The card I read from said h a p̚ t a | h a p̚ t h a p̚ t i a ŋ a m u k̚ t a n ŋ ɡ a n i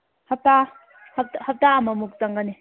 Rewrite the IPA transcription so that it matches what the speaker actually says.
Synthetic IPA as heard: h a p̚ t a | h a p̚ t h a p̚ t a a m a m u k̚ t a ŋ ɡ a n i